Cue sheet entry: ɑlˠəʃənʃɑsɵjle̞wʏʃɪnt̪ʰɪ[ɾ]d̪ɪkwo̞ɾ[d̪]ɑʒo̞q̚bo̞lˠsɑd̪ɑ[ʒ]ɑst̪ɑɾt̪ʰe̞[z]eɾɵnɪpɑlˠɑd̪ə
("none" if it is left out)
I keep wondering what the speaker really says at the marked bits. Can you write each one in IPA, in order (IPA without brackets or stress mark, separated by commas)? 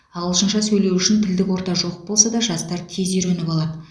l, t̪, ʒ, z